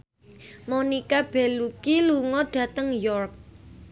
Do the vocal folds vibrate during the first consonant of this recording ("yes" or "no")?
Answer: yes